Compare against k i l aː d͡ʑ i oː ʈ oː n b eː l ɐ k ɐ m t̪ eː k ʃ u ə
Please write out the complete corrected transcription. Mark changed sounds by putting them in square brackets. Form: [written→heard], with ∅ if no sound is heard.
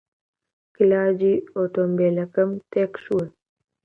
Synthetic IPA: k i l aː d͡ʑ i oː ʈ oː [n→m] b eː l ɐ k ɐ m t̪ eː k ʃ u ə

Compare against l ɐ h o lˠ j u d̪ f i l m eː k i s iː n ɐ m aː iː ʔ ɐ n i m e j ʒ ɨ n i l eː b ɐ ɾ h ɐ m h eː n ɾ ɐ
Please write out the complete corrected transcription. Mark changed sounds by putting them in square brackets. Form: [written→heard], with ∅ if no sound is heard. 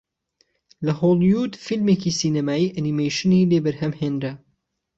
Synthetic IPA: l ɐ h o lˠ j u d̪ f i l m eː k i s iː n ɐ m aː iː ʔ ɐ n i m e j [ʒ→ʃ] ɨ n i l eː b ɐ ɾ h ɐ m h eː n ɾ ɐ

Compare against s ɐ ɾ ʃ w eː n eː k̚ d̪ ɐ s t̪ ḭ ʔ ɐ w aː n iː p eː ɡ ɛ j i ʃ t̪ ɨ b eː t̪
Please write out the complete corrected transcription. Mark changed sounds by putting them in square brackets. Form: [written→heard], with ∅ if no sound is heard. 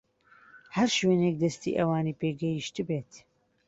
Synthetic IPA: [s→h] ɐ ɾ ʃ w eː n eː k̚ d̪ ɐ s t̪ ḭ ʔ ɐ w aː n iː p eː ɡ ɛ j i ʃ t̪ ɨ b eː t̪

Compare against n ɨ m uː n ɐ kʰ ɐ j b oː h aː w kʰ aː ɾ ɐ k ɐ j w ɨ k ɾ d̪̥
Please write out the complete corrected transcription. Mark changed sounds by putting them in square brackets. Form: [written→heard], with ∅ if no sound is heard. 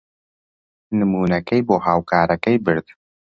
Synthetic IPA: n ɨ m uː n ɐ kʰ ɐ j b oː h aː w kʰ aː ɾ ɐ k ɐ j [w→b] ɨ [k→∅] ɾ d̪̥

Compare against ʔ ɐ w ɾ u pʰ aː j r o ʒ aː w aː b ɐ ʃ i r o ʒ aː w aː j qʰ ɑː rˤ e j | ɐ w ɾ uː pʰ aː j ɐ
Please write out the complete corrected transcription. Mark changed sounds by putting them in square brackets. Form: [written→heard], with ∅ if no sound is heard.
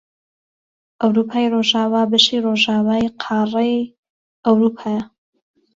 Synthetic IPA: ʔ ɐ w ɾ u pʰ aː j r o ʒ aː w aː b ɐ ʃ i r o ʒ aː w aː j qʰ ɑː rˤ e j | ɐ w ɾ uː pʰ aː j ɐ

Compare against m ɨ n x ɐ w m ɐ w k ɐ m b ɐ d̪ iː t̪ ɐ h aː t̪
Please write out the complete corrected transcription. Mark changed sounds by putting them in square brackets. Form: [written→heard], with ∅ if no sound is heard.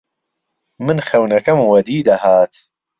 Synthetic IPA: m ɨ n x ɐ w [m→n] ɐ [w→∅] k ɐ m [b→w] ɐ d̪ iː [t̪→d̪] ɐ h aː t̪

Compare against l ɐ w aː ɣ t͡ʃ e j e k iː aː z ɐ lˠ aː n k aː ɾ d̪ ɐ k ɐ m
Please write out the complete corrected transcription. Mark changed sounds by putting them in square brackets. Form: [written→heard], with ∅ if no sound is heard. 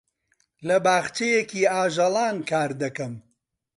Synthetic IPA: l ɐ [w→b] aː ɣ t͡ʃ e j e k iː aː [z→ʒ] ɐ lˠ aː n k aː ɾ d̪ ɐ k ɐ m

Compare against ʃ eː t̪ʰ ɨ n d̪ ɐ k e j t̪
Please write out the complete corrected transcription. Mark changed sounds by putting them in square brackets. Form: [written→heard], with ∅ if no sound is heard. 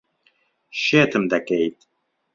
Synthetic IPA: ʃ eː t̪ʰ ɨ [n→m] d̪ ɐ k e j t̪

